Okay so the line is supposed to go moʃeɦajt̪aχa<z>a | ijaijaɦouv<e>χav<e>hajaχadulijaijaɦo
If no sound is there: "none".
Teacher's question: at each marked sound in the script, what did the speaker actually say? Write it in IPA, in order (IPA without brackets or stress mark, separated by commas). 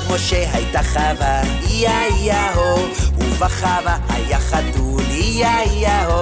v, a, a